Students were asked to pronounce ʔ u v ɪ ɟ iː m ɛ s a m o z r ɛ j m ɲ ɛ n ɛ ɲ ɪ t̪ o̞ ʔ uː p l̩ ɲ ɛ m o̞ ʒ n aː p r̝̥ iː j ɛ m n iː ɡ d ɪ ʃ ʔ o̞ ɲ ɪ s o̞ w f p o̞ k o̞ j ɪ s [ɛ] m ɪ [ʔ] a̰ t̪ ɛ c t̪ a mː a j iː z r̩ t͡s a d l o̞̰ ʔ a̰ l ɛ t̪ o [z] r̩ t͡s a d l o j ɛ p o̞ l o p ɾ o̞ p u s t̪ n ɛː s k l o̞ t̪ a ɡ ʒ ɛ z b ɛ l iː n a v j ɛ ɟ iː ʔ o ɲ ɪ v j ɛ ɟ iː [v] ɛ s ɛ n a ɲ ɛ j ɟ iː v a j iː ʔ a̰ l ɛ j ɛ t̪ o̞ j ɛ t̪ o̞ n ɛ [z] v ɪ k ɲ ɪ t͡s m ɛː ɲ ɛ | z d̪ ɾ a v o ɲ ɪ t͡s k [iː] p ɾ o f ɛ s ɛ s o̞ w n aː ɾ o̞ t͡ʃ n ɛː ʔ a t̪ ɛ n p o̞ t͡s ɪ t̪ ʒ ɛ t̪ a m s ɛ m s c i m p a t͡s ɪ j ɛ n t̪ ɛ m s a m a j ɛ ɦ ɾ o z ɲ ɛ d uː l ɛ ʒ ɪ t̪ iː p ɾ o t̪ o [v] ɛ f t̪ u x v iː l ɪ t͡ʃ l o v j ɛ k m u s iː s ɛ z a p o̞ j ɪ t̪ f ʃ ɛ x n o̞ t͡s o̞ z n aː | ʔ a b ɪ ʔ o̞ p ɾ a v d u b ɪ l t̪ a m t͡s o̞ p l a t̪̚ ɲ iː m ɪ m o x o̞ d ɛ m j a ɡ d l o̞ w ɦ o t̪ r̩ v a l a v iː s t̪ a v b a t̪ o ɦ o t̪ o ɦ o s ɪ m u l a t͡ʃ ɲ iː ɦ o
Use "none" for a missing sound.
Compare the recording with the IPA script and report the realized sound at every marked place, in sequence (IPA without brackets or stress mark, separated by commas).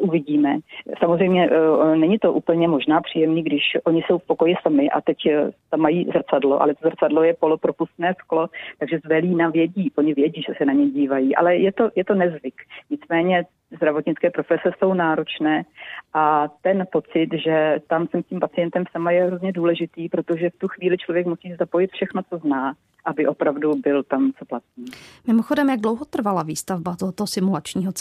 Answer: a, ʔ, z, ʒ, z, ɛː, ʒ